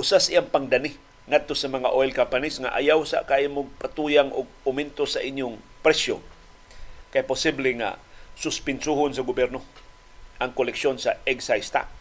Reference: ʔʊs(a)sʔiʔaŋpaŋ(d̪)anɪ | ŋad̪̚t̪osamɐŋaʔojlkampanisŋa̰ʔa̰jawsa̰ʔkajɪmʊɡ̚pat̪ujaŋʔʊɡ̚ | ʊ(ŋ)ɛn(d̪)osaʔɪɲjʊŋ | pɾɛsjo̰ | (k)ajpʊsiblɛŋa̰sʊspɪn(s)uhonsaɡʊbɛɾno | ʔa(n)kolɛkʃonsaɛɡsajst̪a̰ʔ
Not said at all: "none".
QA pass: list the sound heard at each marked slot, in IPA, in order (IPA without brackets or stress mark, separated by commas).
a, d̪, m, t̪, k, s, ŋ